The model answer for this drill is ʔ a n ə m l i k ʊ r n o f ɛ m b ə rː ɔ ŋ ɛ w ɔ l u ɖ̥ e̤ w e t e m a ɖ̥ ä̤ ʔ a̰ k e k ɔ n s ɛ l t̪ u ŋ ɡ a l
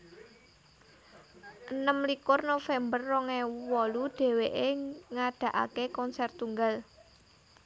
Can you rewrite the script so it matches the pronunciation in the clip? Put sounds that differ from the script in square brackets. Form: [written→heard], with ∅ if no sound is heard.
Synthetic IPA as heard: ʔ [a→ə] n ə m l i k ʊ r n o f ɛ m b ə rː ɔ ŋ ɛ w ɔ l u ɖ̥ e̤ w e [t→ʔ] e [m→ŋ] a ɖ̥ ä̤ ʔ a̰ k e k ɔ n s ɛ [l→r] t̪ u ŋ ɡ a l